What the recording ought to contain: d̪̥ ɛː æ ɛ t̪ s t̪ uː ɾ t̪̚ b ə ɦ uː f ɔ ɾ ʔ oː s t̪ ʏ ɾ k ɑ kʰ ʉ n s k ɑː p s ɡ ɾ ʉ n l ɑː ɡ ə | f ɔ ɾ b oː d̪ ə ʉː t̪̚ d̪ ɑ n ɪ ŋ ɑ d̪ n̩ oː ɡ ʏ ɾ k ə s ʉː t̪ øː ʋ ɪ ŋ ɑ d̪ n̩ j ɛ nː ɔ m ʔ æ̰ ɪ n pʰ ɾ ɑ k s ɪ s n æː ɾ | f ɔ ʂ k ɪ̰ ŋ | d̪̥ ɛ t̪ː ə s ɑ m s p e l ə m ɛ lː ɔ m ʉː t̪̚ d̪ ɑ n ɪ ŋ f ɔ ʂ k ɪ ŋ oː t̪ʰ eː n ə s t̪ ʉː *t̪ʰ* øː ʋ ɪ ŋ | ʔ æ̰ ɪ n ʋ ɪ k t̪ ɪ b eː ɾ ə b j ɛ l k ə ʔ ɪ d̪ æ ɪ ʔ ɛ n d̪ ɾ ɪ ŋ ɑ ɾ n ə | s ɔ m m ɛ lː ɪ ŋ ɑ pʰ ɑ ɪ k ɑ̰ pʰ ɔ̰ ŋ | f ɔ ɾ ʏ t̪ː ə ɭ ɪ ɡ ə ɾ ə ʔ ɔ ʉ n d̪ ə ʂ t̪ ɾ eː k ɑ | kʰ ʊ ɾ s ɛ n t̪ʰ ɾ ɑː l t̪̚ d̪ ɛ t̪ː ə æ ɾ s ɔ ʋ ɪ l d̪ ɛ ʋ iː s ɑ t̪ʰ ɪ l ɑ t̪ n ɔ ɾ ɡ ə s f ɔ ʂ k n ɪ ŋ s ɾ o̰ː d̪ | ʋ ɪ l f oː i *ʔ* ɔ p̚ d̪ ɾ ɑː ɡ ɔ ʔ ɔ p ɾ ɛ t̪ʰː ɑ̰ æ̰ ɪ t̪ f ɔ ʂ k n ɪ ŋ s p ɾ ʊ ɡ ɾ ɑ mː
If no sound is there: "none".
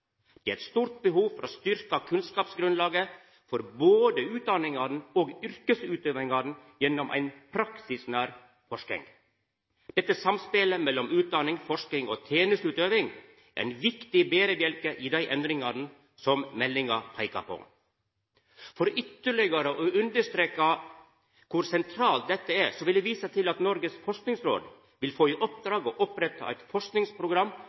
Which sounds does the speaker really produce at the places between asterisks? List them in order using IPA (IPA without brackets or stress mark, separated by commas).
t̪, ʔ